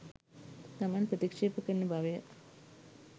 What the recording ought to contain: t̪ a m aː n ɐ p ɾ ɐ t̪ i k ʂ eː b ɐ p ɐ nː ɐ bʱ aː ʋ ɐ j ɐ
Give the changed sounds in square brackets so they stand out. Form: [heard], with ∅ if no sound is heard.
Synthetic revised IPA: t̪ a m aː n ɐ p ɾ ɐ t̪ i k ʂ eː [p] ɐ [k] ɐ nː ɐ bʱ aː ʋ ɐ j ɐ